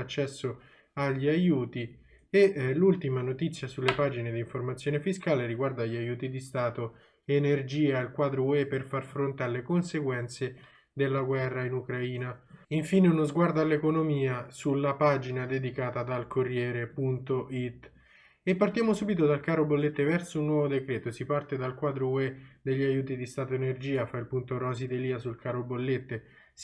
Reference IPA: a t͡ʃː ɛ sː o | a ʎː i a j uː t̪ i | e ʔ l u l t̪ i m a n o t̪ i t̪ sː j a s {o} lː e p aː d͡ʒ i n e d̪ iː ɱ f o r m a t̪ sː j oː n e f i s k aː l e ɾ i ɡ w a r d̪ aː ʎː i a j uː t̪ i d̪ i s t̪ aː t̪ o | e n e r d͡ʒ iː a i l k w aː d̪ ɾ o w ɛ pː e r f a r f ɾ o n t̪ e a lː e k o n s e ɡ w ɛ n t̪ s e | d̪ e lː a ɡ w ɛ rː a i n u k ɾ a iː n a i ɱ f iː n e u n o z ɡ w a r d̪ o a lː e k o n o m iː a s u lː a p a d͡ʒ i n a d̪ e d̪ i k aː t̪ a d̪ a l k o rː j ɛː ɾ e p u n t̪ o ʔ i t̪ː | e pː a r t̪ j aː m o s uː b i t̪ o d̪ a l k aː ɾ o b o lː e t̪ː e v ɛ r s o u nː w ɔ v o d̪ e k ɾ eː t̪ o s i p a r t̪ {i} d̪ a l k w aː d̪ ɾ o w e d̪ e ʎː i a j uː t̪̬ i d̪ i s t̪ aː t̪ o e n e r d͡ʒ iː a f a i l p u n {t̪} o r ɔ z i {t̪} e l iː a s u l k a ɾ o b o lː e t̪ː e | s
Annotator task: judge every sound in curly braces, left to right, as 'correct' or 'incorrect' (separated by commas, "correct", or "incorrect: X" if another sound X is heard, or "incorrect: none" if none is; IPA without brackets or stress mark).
incorrect: u, incorrect: e, correct, incorrect: d̪